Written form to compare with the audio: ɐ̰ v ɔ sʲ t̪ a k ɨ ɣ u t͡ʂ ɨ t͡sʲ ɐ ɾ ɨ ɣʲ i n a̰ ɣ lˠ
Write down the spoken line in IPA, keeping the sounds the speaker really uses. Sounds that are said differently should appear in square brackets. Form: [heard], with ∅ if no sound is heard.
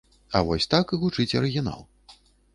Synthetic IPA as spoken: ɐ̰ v ɔ sʲ t̪ a k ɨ ɣ u t͡ʂ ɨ t͡sʲ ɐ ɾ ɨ ɣʲ i n a̰ [∅] lˠ